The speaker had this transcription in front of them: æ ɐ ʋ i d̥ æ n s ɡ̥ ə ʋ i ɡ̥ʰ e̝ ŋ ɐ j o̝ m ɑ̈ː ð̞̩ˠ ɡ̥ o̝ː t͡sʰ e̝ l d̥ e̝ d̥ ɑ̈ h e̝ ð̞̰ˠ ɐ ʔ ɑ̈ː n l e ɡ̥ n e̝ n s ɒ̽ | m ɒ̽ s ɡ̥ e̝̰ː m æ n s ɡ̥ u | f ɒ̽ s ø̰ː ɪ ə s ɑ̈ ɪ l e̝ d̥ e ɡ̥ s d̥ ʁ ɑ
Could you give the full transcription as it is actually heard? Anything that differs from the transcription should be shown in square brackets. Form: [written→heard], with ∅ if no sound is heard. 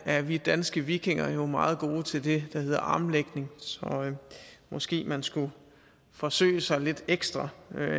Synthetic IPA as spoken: æ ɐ ʋ i d̥ æ n s ɡ̥ ə ʋ i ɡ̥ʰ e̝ ŋ ɐ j o̝ m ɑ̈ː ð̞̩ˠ ɡ̥ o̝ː t͡sʰ e̝ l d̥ e̝ d̥ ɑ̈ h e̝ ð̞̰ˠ ɐ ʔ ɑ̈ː [n→m] l e ɡ̥ n e̝ [n→ŋ] s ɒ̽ | m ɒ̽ s ɡ̥ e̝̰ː m æ n s ɡ̥ u | f ɒ̽ s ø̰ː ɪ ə s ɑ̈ ɪ l e̝ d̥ e ɡ̥ s d̥ ʁ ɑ